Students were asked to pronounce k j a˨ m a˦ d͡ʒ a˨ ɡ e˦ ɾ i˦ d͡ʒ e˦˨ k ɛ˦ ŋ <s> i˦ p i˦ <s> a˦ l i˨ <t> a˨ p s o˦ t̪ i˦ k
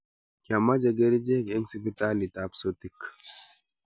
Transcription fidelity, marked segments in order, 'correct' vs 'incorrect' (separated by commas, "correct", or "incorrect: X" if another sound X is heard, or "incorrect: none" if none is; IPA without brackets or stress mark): correct, incorrect: t, correct